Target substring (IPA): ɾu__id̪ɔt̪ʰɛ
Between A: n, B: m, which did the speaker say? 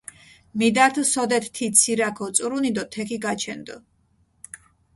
A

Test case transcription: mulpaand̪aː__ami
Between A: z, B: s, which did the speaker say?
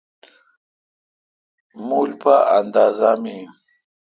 A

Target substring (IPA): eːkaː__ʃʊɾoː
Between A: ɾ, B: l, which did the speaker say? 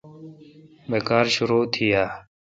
A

